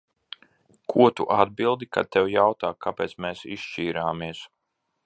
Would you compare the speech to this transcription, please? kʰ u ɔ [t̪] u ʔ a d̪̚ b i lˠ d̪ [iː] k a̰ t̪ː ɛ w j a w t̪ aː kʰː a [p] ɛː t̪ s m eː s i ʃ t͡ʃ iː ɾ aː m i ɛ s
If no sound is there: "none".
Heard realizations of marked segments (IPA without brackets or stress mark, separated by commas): t̪, i, p